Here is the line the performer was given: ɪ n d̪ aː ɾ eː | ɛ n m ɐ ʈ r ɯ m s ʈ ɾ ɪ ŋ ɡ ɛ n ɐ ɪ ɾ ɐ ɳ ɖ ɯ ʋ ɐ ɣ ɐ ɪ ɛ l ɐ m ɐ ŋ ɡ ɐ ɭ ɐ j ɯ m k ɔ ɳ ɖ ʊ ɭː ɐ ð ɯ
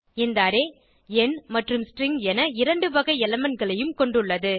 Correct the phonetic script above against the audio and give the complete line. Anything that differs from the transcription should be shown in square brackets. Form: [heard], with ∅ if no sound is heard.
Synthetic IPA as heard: ɪ n d̪ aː ɾ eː | ɛ n m ɐ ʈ r ɯ m s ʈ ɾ ɪ ŋ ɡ ɛ n ɐ ɪ ɾ ɐ ɳ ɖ ɯ ʋ ɐ ɣ ɐ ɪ ɛ l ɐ m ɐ [n] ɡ ɐ ɭ ɐ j ɯ m k ɔ ɳ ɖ [ɯ] ɭː ɐ ð ɯ